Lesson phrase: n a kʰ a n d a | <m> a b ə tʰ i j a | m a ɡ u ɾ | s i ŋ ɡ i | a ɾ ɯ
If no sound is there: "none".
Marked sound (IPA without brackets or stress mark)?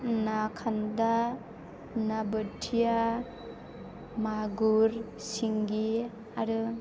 n